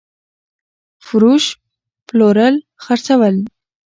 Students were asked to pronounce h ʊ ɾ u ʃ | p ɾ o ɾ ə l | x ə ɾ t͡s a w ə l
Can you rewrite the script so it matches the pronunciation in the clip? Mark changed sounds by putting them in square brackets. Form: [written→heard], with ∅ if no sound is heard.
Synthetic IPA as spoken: [h→f] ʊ ɾ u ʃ | p [ɾ→l] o ɾ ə l | x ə ɾ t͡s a w ə l